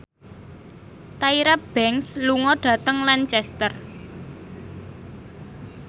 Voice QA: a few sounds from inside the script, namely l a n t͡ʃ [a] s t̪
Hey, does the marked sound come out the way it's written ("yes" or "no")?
no